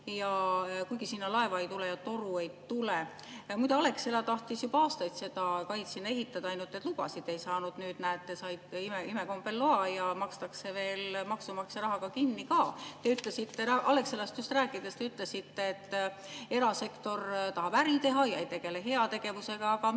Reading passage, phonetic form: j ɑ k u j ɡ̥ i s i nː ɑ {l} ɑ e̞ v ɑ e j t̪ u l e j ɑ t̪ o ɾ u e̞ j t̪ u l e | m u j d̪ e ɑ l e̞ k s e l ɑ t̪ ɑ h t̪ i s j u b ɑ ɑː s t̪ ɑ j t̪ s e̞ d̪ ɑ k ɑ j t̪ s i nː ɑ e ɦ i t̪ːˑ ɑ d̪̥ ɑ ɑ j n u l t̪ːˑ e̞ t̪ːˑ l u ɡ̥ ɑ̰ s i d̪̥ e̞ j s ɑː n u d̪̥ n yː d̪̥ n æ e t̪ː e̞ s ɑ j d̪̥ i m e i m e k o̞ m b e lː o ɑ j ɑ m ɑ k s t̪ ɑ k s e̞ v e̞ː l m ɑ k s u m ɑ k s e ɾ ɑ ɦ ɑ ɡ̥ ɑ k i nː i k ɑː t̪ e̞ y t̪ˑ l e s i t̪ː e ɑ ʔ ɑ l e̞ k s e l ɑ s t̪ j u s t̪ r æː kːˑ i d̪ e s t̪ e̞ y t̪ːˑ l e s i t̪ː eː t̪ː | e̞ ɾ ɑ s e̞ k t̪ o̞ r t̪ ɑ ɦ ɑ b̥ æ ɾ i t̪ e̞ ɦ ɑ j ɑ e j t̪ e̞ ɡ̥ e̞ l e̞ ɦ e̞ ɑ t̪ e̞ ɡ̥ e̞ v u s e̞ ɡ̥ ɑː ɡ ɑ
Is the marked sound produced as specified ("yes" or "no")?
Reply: yes